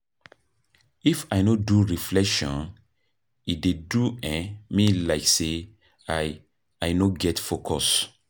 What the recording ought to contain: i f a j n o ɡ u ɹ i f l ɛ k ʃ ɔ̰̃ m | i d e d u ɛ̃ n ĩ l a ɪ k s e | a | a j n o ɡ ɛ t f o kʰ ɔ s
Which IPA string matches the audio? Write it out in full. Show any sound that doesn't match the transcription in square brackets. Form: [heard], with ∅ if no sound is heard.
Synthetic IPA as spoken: i f a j n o [d] u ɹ i f l ɛ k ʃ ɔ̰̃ [n] | i d e d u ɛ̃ [m] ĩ l a ɪ k s e | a | a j n o ɡ ɛ t f o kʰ ɔ s

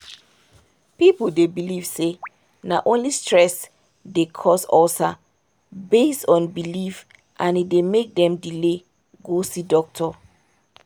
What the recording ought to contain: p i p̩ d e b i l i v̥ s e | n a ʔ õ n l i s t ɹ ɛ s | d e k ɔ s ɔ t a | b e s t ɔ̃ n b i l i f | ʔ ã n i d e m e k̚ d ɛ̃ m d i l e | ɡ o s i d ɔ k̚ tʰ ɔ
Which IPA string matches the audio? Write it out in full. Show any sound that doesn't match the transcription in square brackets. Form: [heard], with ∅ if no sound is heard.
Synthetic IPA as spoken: p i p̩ d e b i l i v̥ s e | n a ʔ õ n l i s t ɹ ɛ s | d e [kʰ] ɔ s ɔ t a | b e s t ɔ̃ n b i l i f | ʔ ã n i d e m e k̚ d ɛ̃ m d i l e | ɡ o s i d ɔ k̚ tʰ ɔ

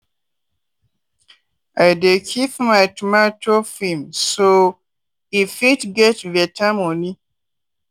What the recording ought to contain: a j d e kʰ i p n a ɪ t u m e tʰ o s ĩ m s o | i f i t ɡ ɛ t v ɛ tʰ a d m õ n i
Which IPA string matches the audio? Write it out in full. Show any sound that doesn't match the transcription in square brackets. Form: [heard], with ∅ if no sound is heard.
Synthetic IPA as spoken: a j d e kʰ i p [m] a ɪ t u m [a] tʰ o [f] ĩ m s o | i f i t ɡ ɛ t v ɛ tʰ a [∅] m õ n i

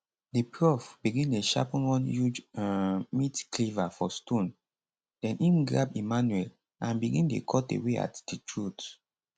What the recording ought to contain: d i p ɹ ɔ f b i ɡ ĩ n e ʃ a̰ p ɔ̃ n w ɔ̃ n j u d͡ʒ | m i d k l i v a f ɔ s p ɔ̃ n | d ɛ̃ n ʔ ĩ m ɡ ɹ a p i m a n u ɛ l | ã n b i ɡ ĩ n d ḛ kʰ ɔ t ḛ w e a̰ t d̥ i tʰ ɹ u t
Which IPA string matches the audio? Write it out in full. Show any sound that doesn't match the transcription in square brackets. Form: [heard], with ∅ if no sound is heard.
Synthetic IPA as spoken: d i p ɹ ɔ f b i ɡ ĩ n e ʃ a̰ p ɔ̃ n w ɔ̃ n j u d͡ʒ | m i [t] k l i v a f ɔ s [t] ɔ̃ n | d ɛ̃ n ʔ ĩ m ɡ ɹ a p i m a n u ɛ l | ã n b i ɡ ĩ n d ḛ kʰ ɔ t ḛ w e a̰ t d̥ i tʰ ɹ u t

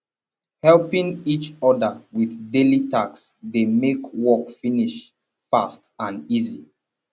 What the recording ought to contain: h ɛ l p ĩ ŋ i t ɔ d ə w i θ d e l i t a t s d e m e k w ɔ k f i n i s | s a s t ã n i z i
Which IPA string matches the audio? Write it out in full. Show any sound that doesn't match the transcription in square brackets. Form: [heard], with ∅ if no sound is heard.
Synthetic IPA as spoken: h ɛ l p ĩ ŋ i [t͡ʃ] ɔ d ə w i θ d e l i t a [k] s d e m e k w ɔ k f i n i [ʃ] | [f] a s t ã n i z i

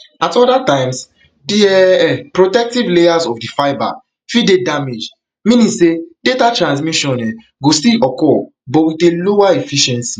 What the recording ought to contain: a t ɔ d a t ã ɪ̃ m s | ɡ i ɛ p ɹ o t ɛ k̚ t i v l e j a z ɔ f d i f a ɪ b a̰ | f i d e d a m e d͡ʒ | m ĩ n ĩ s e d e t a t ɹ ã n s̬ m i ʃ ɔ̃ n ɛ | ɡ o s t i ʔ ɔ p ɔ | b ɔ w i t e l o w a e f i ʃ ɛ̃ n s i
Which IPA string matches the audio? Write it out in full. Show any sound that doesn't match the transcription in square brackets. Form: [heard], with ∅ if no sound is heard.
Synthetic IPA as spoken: a t ɔ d a t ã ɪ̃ m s | [d] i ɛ p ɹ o t ɛ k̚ t i v l e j a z ɔ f d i f a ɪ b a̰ | f i d e d a m e d͡ʒ | m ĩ n ĩ s e d e t a t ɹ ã n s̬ m i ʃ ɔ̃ n ɛ | ɡ o s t i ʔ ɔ [k] ɔ | b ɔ w i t e l o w a e f i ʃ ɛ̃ n s i

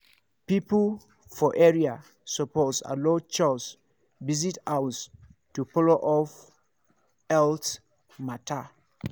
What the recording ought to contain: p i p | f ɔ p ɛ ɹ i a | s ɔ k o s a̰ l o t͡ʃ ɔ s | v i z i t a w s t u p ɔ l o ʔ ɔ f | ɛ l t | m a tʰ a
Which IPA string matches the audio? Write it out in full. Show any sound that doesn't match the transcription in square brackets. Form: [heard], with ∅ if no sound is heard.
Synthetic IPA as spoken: p i p | f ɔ [ʔ] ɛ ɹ i a | s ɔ [p] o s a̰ l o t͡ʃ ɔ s | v i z i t a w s t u p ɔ l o ʔ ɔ f | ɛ l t | m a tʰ a

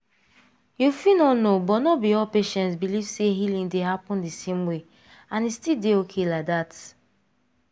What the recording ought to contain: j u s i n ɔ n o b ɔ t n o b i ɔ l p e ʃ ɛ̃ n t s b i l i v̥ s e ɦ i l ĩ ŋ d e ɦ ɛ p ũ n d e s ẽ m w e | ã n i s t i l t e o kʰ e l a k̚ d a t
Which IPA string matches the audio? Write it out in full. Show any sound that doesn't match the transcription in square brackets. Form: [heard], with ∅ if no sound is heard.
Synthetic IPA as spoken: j u [f] i n ɔ n o b ɔ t n [ɔ] b i ɔ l p e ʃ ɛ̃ n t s b i l i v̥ s e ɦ i l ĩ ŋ d e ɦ [a] p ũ n d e s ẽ m w e | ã n i s t i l [d] e o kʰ e l a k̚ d a t

